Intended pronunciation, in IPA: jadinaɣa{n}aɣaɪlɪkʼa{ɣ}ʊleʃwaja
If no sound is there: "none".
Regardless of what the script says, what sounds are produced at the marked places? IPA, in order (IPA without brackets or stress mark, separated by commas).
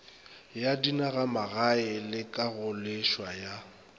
m, ɣ